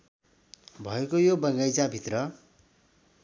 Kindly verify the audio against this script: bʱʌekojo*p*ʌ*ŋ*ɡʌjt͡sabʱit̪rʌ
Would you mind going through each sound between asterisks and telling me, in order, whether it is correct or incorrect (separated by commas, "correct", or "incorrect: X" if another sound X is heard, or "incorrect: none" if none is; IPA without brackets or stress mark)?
incorrect: b, correct